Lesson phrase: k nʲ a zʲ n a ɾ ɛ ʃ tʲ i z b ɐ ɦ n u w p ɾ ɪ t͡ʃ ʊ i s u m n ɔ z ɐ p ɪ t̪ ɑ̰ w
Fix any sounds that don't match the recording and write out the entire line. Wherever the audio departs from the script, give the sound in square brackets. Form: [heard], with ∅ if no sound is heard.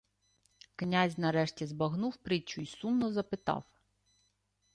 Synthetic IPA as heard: k nʲ a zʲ n [ɐ] ɾ ɛ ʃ tʲ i z b ɐ ɦ n u w p ɾ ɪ t͡ʃ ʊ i s u m n ɔ z ɐ p ɪ t̪ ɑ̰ w